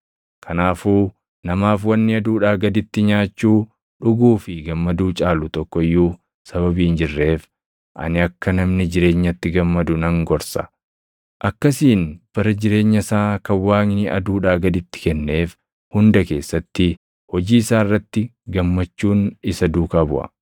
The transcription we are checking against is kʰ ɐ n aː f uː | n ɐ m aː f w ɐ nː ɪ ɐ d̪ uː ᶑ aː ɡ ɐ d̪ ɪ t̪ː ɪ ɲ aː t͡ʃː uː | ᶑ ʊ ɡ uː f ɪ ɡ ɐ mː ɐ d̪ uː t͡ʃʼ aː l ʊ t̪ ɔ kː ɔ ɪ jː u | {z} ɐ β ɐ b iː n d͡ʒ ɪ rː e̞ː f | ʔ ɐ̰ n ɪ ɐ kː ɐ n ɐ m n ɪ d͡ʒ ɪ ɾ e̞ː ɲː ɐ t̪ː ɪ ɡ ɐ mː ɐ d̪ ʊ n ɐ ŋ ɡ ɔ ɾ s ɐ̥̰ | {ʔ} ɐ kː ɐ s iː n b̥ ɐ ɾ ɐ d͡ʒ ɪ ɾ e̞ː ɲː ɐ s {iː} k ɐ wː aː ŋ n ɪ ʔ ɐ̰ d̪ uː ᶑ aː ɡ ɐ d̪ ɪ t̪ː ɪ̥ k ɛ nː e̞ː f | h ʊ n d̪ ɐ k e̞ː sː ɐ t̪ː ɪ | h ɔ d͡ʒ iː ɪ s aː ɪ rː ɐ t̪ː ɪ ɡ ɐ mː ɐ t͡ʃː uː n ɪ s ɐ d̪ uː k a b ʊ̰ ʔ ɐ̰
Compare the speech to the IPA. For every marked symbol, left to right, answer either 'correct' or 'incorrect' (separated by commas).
incorrect, correct, incorrect